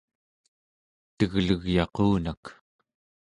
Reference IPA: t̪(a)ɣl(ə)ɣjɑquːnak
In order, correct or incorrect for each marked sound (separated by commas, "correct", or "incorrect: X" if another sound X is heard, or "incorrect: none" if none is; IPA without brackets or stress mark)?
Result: incorrect: ə, correct